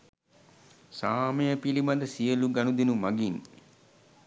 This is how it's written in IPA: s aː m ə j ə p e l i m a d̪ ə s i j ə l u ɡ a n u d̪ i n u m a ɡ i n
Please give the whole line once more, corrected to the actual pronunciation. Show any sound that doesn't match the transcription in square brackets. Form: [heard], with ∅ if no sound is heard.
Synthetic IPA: s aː m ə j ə p [i] l i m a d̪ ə s i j ə l u ɡ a n u d̪ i n u m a ɡ i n

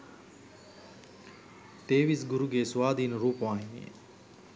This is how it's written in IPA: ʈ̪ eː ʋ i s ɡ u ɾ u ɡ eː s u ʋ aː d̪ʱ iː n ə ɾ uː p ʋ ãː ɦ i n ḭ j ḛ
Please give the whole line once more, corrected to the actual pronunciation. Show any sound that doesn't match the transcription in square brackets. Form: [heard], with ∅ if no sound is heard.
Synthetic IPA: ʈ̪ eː ʋ i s ɡ u ɾ u ɡ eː s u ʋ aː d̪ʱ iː n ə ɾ uː p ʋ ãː ɦ i n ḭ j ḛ

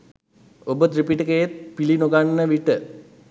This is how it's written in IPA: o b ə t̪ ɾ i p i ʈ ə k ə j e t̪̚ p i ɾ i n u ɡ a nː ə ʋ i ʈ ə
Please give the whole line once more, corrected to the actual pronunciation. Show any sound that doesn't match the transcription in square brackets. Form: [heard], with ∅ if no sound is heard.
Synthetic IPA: o b ə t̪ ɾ i p i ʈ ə k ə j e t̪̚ p i [l] i n [o] ɡ a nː ə ʋ i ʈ ə

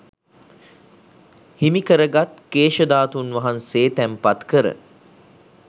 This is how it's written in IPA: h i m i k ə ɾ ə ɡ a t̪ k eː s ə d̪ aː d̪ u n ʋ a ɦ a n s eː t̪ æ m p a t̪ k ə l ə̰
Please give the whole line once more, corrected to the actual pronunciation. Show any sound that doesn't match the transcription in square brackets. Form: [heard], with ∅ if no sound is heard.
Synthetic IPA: h i m i k ə ɾ ə ɡ a t̪ k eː [ʃ] ə d̪ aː [t̪] u n ʋ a ɦ a n s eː t̪ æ m p a t̪ k ə [ɾ] ə̰

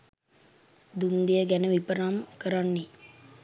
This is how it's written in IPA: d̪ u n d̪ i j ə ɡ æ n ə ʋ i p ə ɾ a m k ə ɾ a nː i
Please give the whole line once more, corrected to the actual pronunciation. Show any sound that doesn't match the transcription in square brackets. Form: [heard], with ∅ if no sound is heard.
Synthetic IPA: d̪ u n d̪ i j ə ɡ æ n ə ʋ i p ə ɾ a m k ə ɾ a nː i

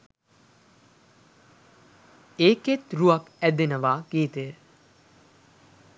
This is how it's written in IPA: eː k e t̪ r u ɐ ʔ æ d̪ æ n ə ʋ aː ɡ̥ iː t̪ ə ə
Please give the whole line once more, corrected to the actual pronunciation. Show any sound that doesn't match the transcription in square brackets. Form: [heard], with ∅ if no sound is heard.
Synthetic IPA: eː k e t̪ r u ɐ [k] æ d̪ [e] n ə ʋ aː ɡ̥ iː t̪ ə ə

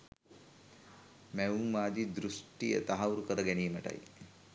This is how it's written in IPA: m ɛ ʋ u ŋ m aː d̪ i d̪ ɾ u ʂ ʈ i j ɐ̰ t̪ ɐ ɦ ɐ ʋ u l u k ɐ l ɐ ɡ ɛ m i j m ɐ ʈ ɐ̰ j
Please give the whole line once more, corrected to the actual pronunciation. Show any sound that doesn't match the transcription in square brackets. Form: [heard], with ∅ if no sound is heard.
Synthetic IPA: m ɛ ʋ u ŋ m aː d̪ i d̪ ɾ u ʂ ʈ i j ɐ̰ t̪ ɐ ɦ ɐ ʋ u [ɾ] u k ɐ [ɾ] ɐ ɡ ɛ [n] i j m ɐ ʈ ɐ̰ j

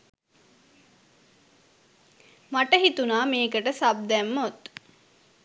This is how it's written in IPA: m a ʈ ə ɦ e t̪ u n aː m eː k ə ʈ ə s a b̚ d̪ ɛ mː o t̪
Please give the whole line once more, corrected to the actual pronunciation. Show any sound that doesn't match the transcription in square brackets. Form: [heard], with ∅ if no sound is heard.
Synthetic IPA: m a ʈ ə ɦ [i] t̪ u n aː m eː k ə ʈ ə s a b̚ d̪ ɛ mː o t̪

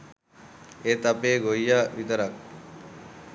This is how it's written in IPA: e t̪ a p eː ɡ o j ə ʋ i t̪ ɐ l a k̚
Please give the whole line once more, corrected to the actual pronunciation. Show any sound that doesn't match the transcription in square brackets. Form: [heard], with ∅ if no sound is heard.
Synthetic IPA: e t̪ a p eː ɡ o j [a] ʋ i t̪ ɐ [ɾ] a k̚

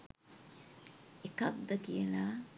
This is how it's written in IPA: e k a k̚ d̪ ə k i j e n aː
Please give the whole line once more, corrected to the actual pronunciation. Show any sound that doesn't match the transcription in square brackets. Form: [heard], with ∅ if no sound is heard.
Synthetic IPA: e k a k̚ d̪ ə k i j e n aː

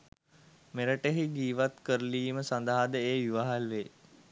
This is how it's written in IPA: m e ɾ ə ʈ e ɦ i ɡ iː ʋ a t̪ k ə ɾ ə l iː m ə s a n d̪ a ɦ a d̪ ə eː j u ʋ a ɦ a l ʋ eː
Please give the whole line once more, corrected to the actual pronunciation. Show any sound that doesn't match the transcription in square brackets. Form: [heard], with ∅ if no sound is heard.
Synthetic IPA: m e ɾ ə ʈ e ɦ i ɡ iː ʋ a t̪ k ə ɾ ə l iː m ə s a n d̪ a ɦ a d̪ ə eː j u ʋ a ɦ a l ʋ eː

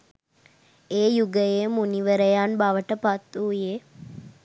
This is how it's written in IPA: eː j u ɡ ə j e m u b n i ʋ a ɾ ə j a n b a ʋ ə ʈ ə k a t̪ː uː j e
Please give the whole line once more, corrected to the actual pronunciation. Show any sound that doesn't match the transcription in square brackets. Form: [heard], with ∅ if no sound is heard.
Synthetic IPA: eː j u ɡ ə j e m u [∅] n i ʋ [ə] ɾ ə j a n b a ʋ ə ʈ ə [p] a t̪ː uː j e

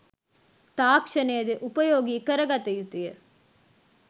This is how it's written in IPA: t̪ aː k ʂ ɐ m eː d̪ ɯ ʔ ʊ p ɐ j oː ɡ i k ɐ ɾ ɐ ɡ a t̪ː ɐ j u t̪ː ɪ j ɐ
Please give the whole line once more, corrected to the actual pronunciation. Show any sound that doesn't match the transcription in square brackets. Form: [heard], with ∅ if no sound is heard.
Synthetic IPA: t̪ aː k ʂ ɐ [n] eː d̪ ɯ ʔ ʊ p ɐ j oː ɡ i k ɐ ɾ ɐ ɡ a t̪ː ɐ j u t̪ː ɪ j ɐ

